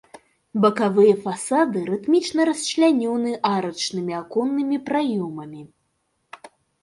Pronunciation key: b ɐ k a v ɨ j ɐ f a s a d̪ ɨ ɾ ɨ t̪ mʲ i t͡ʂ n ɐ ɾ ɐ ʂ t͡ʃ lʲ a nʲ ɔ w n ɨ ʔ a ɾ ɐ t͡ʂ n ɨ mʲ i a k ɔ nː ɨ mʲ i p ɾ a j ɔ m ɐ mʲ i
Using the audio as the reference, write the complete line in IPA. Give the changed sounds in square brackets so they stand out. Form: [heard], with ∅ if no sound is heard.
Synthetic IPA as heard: b ɐ k a v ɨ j ɐ f a s a d̪ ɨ ɾ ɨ t̪ mʲ i t͡ʂ n ɐ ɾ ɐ [s] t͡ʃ lʲ a nʲ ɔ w n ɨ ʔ a ɾ ɐ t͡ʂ n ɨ mʲ i a k ɔ nː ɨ mʲ i p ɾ a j ɔ m ɐ mʲ i